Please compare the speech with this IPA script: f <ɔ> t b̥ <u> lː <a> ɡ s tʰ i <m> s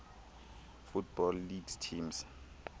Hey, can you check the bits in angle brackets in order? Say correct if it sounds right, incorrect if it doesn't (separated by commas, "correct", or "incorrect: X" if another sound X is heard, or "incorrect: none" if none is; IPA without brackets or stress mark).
incorrect: u, incorrect: ɔ, incorrect: i, correct